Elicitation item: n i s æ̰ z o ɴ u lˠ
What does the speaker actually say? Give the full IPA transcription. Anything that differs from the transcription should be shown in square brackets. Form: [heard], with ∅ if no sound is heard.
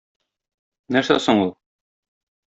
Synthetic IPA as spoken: n [æ] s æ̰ [s] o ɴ u lˠ